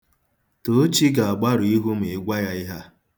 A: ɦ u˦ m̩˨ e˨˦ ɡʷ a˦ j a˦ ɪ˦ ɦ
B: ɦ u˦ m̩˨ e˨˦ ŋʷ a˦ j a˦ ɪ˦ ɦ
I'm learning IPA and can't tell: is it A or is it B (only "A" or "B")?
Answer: A